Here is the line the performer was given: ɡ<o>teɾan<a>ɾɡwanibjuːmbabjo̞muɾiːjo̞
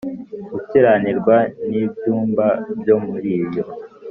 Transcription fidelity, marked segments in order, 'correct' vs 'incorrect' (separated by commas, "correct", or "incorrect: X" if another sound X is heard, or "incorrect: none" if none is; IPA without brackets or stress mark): incorrect: u, incorrect: i